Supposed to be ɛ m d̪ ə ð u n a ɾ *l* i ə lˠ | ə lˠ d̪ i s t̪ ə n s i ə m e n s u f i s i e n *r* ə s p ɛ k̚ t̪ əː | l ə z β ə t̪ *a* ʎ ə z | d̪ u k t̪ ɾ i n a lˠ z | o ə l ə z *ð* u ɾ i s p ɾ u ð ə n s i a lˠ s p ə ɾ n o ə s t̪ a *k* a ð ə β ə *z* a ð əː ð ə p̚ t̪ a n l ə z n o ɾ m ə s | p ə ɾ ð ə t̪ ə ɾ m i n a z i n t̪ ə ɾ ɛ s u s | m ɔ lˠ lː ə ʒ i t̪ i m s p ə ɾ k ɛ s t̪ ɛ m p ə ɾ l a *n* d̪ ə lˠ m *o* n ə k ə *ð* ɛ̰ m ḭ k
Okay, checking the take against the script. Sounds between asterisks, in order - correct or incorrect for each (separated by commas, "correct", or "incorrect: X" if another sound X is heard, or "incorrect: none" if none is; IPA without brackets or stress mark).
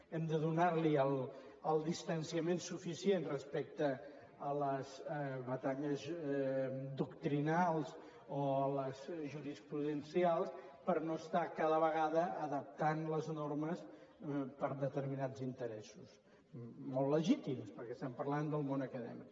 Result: correct, correct, correct, incorrect: ʒ, correct, incorrect: ɣ, correct, correct, correct